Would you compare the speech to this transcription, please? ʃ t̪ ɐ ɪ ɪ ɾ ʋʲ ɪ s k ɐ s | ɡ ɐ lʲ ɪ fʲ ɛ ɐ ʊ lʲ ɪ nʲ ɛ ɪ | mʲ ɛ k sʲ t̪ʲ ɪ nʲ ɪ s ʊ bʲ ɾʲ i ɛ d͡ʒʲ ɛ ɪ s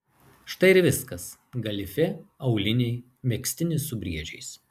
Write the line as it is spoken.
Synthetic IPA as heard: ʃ t̪ ɐ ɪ ɪ ɾ ʋʲ ɪ s k ɐ s | ɡ ɐ lʲ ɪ fʲ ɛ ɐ ʊ lʲ ɪ nʲ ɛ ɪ | mʲ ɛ k sʲ t̪ʲ ɪ nʲ ɪ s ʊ bʲ ɾʲ i ɛ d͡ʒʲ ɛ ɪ s